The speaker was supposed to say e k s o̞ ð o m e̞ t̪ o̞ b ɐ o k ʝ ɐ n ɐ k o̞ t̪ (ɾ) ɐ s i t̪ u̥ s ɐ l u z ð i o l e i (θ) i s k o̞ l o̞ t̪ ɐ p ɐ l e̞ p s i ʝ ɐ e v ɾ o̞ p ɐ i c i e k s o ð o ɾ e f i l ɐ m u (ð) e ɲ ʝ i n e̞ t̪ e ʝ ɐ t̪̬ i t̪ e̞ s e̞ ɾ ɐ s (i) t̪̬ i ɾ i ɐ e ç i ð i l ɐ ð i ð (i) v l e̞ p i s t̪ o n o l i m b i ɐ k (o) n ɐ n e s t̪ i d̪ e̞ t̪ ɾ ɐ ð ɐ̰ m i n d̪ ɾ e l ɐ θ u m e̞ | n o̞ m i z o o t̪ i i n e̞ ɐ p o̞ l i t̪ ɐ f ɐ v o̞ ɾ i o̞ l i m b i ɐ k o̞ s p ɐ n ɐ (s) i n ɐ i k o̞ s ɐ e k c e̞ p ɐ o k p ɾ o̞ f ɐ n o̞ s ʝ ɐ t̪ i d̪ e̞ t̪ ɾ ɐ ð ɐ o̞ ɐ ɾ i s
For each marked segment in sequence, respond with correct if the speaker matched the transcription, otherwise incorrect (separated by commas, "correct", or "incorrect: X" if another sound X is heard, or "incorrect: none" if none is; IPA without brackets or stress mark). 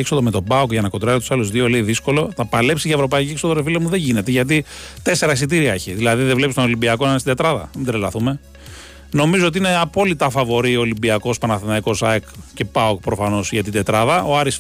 correct, incorrect: ð, correct, correct, incorrect: e, correct, incorrect: θ